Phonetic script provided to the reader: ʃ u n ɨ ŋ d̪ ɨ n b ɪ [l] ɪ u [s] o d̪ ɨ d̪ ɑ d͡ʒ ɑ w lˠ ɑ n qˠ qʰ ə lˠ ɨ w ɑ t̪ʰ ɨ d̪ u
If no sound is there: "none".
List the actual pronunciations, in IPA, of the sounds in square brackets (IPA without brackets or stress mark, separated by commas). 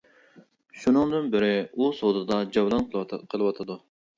ɾ, s